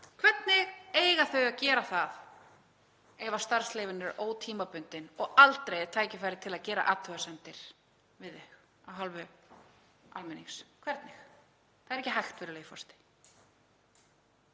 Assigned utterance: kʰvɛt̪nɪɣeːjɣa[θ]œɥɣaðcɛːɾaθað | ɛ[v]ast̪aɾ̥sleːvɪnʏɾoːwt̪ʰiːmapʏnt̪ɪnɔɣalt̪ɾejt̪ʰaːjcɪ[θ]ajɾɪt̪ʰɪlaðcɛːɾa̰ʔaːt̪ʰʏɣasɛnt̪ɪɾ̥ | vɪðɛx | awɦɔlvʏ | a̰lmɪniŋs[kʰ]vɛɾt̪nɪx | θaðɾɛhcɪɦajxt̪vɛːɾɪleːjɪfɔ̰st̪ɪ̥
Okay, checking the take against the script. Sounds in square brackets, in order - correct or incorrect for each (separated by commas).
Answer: correct, correct, incorrect, correct